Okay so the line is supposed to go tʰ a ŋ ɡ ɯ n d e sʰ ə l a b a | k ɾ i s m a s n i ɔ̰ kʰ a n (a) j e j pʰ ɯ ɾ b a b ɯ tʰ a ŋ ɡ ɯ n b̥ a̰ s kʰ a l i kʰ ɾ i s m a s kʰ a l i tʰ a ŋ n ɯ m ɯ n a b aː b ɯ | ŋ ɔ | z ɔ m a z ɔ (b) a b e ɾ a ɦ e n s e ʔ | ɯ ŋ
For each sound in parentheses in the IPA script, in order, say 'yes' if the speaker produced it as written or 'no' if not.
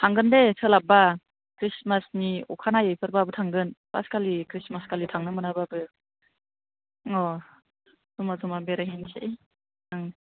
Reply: yes, no

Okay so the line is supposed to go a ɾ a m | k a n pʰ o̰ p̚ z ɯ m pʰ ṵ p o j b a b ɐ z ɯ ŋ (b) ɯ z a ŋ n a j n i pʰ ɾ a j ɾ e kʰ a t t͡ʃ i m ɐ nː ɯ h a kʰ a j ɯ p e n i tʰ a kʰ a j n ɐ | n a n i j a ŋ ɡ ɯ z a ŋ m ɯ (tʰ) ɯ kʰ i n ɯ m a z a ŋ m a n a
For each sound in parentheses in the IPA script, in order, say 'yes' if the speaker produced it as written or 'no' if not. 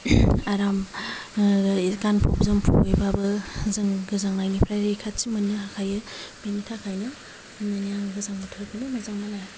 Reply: no, yes

